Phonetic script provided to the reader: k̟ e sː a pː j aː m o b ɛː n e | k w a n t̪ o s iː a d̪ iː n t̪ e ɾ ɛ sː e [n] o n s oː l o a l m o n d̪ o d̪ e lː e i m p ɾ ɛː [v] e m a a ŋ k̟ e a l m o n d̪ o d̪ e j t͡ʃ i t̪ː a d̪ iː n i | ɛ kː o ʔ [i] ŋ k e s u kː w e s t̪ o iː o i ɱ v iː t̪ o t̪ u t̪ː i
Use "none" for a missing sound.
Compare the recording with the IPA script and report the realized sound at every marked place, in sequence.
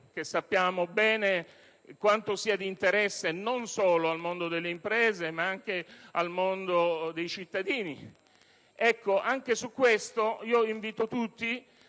n, z, a

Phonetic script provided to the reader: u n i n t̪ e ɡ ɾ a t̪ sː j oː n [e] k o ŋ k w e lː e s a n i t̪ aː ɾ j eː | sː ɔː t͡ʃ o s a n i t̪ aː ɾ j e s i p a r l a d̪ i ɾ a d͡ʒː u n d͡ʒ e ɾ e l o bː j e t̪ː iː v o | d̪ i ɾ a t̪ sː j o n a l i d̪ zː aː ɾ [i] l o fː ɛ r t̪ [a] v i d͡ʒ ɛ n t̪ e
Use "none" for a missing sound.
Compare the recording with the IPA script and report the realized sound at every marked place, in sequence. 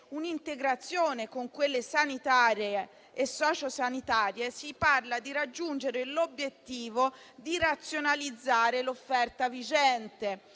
e, e, a

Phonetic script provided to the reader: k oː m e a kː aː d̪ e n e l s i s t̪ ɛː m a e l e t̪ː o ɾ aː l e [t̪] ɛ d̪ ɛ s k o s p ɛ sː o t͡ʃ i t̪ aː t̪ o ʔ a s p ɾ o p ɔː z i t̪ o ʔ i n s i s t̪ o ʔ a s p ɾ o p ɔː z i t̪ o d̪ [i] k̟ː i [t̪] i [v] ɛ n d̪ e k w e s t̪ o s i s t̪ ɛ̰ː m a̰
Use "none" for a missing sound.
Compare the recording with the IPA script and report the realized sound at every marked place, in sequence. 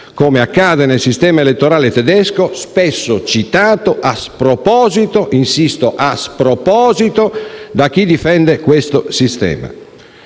t̪, a, d̪, f

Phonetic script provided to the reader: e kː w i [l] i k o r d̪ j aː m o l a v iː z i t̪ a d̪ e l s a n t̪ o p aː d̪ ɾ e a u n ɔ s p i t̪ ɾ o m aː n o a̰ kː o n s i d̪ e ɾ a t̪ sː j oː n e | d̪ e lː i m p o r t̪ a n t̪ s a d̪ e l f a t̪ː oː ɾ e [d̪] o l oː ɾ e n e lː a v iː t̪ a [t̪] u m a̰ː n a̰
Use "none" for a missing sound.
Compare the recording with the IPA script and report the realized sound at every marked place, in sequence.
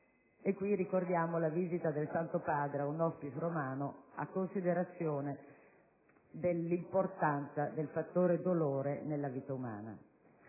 r, d̪, none

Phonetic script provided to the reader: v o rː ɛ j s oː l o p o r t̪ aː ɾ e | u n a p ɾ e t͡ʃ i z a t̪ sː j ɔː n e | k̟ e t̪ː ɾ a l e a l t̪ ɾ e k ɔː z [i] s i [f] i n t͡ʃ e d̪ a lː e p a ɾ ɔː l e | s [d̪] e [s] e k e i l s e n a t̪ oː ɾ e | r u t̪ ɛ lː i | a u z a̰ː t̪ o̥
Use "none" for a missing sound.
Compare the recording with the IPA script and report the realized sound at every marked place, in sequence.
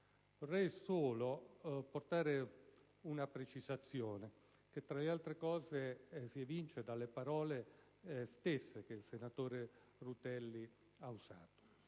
e, v, t̪, sː

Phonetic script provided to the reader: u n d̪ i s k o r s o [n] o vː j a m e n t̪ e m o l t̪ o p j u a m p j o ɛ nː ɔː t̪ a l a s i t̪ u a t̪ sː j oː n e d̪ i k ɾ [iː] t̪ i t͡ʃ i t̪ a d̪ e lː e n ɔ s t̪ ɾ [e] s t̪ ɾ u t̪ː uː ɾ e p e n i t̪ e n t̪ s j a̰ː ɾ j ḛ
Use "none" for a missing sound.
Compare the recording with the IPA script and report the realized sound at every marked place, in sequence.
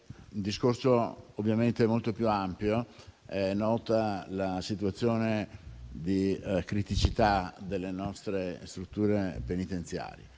none, i, e

